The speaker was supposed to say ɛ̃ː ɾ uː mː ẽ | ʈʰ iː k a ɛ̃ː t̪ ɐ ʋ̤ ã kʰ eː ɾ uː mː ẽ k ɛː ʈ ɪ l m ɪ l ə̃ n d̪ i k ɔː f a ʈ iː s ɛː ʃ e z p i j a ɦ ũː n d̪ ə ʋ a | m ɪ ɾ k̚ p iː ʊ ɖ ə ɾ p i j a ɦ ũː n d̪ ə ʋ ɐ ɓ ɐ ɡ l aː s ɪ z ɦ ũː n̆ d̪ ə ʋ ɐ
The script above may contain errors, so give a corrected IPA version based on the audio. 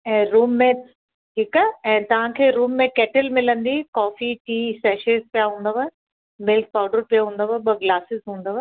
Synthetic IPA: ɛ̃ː ɾ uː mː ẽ | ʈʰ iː k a ɛ̃ː t̪ ɐ ʋ̤ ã kʰ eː ɾ uː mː ẽ k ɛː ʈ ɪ l m ɪ l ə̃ n d̪ i k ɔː f i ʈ iː s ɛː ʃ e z p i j a ɦ ũː n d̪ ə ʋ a | m ɪ l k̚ p aː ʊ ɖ ə ɾ p i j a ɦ ũː n d̪ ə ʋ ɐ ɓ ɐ ɡ l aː s ɪ z ɦ ũː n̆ d̪ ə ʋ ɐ